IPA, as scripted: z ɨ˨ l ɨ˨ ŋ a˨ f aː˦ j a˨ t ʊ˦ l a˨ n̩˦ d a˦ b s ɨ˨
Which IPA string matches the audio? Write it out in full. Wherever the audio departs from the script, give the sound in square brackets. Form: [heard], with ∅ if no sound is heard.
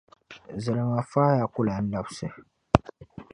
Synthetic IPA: z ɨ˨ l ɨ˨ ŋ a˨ f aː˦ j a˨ [k] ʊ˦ l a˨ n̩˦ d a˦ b s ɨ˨